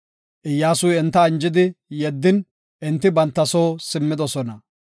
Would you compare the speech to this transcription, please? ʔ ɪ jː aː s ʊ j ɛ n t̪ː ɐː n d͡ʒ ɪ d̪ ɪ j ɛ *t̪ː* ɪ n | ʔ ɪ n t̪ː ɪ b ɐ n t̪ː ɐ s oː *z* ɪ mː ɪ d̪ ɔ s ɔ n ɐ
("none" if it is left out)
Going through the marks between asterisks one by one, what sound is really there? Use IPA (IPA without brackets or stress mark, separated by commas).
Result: d̪ː, s